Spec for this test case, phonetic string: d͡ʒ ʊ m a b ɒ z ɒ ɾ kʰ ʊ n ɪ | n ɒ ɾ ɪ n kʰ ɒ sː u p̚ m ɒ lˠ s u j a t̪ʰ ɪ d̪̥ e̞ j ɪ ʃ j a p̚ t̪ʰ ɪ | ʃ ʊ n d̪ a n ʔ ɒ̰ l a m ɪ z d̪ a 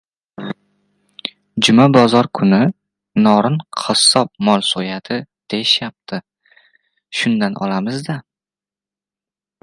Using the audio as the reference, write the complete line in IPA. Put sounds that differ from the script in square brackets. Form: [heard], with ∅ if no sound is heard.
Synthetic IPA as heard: d͡ʒ ʊ m a b ɒ z ɒ ɾ kʰ ʊ n ɪ | n ɒ ɾ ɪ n [qʰ] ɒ sː [ɒ] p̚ m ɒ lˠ s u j a t̪ʰ ɪ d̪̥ e̞ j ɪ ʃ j a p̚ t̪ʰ ɪ | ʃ ʊ n d̪ a n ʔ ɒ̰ l a m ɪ z d̪ a